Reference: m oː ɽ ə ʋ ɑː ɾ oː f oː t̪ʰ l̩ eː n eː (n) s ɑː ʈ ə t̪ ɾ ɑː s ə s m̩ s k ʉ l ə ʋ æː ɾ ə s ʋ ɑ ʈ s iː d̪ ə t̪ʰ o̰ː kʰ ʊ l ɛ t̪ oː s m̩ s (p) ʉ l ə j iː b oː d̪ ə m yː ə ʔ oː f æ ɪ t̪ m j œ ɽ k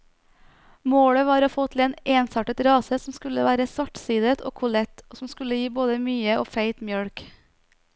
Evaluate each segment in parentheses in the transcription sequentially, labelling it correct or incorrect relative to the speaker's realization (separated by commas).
correct, incorrect